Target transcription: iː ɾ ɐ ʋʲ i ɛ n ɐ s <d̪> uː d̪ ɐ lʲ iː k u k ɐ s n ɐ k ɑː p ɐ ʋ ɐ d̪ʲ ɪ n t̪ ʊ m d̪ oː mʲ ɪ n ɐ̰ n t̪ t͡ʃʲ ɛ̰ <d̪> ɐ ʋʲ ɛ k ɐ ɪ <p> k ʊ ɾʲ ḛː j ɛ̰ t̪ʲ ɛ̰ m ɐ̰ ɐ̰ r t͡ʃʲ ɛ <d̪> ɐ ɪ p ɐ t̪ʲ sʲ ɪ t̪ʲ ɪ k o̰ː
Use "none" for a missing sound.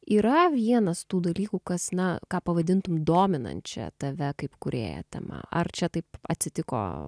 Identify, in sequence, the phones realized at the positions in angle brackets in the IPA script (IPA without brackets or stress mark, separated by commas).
t̪, t̪, p, t̪